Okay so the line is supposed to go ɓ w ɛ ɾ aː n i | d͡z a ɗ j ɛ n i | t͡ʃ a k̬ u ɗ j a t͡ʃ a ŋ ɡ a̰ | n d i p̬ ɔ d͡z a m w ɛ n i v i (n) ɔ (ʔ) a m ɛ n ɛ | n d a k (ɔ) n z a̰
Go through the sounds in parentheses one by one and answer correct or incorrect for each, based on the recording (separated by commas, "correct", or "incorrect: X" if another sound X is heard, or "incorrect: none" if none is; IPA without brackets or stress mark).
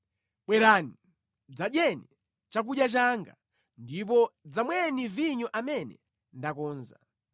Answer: incorrect: ɲ, correct, incorrect: ɔː